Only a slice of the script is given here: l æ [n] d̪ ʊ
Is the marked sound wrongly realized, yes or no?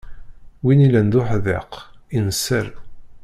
no